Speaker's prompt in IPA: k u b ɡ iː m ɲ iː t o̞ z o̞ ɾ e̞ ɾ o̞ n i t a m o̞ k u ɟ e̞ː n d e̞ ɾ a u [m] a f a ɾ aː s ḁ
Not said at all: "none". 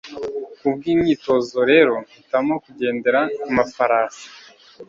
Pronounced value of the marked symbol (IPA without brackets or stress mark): m